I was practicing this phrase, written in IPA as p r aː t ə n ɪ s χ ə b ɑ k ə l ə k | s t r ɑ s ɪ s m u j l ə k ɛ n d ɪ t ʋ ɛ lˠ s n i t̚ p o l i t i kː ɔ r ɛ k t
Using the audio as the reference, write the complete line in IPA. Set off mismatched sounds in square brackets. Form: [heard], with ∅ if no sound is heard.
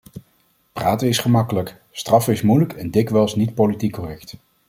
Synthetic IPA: p r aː t ə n ɪ s χ ə [m] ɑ k ə l ə k | s t r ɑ [f] ɪ s m u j l ə k ɛ n d ɪ [k] ʋ ɛ lˠ s n i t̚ p o l i t i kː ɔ r ɛ k t